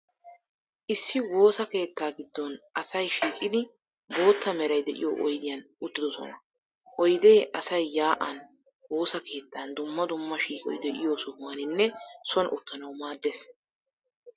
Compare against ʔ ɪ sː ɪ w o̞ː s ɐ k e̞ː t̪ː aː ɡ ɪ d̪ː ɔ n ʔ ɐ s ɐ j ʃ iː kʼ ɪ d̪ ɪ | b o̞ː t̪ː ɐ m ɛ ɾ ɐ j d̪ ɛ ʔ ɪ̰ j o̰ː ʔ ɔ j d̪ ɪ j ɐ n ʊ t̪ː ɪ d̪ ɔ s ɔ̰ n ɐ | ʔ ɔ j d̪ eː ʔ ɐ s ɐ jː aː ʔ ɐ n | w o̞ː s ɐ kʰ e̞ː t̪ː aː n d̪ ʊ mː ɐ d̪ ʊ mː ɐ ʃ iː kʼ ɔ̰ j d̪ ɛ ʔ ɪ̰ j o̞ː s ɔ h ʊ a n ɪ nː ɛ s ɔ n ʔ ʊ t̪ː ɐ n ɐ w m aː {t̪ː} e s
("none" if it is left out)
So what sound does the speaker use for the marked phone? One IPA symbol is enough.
d̪ː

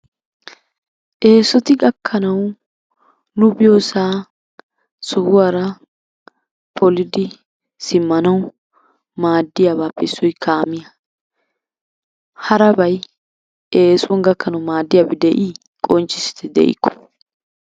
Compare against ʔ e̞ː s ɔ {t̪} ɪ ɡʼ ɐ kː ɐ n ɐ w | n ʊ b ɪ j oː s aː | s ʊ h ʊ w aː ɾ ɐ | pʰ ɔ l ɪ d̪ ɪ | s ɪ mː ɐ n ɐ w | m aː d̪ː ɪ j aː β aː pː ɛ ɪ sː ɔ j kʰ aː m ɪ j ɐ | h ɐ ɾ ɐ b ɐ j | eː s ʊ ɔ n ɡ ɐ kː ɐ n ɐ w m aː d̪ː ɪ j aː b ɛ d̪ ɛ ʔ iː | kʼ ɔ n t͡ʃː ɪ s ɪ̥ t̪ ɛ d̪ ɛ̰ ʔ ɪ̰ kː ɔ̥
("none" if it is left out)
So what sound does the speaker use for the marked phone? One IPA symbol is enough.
t̪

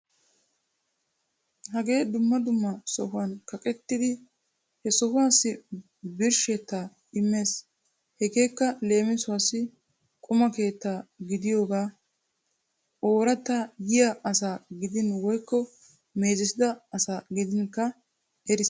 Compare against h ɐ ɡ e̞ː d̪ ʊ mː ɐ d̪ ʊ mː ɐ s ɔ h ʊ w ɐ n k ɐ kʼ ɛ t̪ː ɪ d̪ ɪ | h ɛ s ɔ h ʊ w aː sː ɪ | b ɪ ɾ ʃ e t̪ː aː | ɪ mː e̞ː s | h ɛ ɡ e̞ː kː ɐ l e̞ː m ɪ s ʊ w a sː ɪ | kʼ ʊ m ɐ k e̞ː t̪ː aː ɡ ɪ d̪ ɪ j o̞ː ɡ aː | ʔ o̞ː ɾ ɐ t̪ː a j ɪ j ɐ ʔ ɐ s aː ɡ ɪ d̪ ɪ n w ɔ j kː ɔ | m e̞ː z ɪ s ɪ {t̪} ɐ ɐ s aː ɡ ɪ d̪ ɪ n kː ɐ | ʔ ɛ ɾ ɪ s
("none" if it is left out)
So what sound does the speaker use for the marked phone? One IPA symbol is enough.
d̪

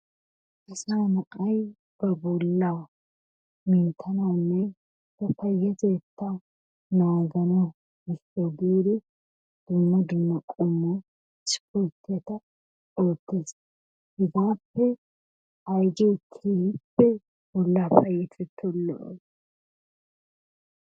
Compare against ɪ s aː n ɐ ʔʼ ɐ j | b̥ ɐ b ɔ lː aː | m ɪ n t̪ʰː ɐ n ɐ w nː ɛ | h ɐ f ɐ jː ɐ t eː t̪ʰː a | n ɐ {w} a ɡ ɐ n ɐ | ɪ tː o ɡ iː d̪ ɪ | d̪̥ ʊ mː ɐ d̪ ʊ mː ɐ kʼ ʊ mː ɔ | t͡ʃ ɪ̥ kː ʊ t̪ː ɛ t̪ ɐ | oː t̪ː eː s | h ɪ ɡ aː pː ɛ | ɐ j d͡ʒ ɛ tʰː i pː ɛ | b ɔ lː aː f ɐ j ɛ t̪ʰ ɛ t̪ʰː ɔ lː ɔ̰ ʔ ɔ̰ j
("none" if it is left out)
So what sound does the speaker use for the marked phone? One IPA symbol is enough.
w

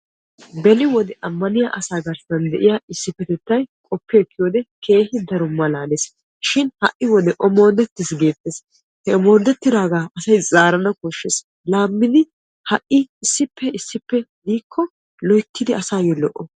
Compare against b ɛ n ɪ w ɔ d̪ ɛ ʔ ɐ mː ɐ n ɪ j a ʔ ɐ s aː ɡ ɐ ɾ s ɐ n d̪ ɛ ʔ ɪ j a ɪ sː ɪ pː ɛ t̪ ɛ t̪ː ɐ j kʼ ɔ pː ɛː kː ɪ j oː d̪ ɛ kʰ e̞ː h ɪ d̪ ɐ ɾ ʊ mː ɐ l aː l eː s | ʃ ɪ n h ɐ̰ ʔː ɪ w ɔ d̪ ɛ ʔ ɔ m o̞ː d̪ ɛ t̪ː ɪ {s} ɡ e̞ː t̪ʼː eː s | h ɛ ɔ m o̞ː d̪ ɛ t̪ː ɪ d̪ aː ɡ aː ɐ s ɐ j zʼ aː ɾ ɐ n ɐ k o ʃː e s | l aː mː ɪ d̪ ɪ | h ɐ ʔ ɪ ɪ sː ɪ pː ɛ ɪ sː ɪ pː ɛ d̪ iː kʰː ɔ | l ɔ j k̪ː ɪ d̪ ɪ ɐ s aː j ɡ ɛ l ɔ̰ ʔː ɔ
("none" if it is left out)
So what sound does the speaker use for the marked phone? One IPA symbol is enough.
s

